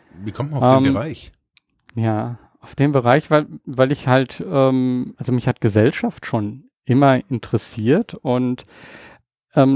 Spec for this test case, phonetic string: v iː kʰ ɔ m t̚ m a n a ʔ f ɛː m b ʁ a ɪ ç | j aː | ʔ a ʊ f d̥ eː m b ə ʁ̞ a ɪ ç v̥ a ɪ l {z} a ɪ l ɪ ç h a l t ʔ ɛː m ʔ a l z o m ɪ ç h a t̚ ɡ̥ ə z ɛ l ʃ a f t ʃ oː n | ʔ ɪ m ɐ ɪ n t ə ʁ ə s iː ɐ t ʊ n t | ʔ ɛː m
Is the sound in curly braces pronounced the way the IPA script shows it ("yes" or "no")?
no